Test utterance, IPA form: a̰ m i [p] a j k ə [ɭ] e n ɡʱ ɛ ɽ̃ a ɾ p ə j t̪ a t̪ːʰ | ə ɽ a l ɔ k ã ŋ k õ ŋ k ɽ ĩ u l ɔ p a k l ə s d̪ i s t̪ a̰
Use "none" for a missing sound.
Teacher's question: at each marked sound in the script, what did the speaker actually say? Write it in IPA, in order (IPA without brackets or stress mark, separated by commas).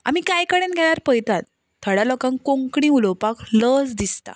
k, ɽ